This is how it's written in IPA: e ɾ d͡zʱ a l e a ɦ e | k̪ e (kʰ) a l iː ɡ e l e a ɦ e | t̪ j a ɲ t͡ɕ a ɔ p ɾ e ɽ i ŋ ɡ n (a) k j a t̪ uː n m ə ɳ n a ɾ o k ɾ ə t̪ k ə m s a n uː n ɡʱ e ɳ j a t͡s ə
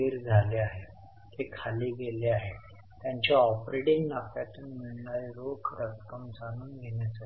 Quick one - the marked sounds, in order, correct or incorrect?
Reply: correct, correct

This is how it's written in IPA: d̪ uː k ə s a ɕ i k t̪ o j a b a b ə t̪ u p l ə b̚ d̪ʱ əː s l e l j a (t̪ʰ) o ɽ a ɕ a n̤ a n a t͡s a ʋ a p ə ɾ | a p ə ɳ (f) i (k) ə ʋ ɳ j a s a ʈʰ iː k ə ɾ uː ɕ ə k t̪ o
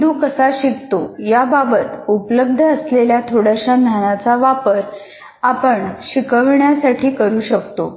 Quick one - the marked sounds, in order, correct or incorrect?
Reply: correct, incorrect, correct

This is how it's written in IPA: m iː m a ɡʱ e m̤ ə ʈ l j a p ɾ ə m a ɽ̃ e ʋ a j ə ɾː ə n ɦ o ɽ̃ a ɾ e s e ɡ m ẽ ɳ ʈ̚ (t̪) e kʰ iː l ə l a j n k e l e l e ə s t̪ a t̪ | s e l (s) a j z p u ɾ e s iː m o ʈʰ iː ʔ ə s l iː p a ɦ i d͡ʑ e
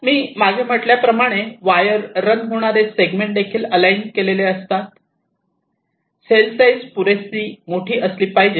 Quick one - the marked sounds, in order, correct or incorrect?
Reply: incorrect, correct

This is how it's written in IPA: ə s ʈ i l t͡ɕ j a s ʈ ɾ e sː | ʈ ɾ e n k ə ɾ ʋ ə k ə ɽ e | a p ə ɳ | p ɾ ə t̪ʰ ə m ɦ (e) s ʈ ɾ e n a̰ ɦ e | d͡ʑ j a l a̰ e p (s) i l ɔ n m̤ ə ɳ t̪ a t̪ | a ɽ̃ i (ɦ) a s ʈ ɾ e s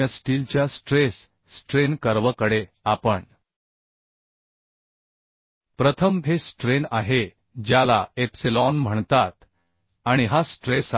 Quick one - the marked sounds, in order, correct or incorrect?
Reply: correct, correct, correct

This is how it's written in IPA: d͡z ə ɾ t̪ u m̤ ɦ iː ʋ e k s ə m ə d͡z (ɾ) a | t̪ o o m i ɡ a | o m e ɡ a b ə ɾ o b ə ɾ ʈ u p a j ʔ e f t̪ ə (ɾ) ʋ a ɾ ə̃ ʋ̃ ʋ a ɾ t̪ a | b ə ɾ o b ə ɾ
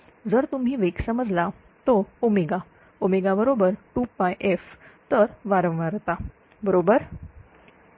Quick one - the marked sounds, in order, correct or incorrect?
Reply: incorrect, correct

